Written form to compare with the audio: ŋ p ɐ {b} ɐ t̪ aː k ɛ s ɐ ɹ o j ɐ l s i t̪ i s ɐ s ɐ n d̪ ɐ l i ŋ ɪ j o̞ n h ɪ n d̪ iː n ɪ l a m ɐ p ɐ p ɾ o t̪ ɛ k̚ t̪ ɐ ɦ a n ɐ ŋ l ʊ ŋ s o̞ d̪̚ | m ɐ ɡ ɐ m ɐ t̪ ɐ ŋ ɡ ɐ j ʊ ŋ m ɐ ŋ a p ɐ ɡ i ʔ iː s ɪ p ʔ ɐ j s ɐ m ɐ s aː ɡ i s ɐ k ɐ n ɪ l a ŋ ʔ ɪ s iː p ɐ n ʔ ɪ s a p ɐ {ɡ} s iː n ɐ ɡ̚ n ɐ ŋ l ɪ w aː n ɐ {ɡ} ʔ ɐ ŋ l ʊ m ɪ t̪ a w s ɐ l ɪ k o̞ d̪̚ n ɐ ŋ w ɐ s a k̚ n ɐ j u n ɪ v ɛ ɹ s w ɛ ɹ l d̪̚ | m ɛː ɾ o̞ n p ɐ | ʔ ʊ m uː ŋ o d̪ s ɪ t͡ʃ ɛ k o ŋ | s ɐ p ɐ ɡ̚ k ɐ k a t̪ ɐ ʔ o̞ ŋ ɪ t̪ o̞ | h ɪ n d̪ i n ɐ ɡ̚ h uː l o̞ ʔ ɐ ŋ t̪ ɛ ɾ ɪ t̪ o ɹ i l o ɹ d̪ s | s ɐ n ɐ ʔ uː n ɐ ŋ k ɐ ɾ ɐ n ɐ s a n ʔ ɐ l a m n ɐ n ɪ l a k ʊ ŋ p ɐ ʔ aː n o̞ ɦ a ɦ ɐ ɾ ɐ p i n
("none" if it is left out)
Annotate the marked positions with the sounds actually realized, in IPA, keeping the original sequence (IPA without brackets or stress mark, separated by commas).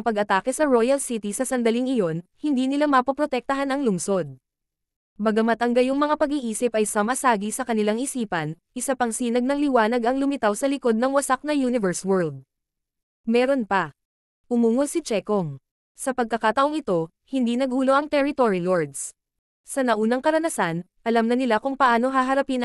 ɡ, ŋ, ɡ